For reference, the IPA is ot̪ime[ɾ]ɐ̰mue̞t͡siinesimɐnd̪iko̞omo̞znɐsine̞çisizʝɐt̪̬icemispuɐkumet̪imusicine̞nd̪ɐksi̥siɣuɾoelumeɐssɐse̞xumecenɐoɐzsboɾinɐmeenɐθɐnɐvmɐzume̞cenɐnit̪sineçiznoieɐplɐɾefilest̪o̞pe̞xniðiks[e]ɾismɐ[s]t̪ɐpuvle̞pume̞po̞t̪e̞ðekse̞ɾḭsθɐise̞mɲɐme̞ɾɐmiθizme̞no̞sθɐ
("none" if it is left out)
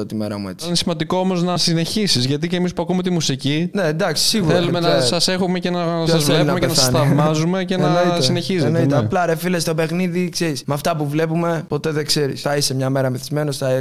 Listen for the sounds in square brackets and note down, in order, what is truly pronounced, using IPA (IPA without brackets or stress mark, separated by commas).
ɾ, e, f